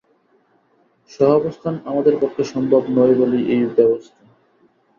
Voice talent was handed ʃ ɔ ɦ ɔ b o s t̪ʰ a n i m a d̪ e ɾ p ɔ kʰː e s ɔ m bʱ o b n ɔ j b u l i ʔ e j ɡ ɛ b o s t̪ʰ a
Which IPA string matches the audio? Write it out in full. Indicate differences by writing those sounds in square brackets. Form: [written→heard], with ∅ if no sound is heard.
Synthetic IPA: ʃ ɔ ɦ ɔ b o s t̪ʰ a n [i→a] m a d̪ e ɾ p ɔ kʰː e [s→ʃ] ɔ m bʱ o b n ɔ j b [u→o] l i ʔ e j [ɡ→b] ɛ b o s t̪ʰ a